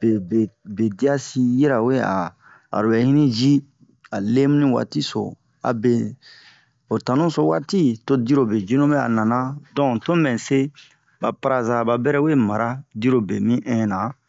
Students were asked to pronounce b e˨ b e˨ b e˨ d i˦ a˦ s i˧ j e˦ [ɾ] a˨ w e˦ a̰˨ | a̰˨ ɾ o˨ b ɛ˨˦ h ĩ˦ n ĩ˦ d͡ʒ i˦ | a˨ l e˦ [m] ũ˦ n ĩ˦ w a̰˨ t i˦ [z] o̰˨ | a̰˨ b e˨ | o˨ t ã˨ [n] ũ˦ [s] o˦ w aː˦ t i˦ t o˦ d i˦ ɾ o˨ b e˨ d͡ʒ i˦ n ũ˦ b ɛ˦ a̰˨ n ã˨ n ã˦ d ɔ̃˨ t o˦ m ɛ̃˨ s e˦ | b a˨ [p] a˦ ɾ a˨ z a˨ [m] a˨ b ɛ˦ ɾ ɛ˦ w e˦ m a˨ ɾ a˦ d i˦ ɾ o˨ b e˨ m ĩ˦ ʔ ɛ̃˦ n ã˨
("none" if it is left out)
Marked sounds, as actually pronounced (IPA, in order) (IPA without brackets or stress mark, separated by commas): ɾ, m, s, n, s, p, b